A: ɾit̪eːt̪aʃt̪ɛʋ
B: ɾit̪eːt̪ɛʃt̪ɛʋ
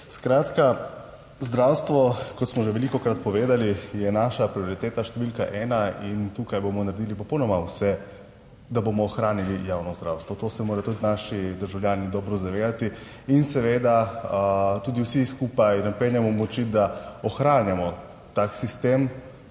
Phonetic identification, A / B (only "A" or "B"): A